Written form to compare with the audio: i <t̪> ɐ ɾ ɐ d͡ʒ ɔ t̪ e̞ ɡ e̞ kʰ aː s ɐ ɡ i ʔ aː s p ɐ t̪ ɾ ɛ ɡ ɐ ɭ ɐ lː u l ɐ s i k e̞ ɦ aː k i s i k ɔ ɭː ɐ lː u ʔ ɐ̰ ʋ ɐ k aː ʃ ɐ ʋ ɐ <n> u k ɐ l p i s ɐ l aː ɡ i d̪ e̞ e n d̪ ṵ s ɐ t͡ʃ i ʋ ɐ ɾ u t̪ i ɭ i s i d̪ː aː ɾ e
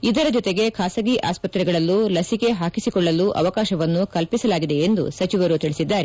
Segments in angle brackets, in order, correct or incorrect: incorrect, incorrect

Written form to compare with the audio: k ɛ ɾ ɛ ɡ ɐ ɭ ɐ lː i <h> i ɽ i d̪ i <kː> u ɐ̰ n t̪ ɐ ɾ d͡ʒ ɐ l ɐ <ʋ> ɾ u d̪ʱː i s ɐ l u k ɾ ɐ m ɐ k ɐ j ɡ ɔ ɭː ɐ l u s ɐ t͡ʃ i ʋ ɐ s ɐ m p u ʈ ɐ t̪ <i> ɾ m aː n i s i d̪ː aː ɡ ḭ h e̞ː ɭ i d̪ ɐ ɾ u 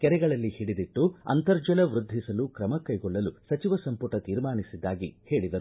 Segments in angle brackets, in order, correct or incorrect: correct, incorrect, correct, incorrect

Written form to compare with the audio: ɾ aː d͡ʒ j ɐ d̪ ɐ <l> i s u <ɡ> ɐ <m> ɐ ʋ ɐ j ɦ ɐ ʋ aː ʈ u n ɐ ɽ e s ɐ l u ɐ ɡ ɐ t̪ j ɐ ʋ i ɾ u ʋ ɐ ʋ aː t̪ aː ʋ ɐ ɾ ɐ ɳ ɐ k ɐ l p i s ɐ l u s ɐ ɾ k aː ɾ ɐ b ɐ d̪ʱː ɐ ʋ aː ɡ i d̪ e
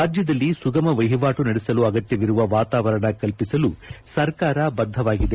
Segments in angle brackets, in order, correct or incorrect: incorrect, correct, correct

